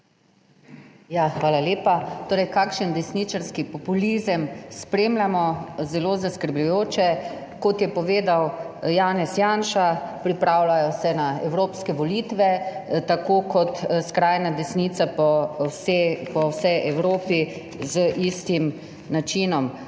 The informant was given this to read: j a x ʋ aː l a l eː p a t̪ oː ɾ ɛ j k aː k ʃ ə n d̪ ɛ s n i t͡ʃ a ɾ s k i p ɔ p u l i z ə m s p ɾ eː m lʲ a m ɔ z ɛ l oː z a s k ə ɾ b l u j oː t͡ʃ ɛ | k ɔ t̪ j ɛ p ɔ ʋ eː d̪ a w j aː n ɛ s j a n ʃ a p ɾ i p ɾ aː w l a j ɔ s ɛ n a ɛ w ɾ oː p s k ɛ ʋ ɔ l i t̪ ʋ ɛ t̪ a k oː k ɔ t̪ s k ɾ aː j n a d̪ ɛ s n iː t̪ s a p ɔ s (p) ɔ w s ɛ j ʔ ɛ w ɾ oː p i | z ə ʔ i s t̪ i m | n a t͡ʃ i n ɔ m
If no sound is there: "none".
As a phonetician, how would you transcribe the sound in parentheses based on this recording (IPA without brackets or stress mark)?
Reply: p